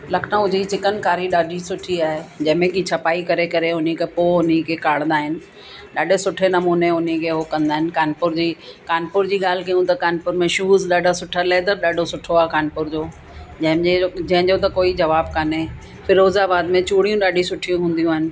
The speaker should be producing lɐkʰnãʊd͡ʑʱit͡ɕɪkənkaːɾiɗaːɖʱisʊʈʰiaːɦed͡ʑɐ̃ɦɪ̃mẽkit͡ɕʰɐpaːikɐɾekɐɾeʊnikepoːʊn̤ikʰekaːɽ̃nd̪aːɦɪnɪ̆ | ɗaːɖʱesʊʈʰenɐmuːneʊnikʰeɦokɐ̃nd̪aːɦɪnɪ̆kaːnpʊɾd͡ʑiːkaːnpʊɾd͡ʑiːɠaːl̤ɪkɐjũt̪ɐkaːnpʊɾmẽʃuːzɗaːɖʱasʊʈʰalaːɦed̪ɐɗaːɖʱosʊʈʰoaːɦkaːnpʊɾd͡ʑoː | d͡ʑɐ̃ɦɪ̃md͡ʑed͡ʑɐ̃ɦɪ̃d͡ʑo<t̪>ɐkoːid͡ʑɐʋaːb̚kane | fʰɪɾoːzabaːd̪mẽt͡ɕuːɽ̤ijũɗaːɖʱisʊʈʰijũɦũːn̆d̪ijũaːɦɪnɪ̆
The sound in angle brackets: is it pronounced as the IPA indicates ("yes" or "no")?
yes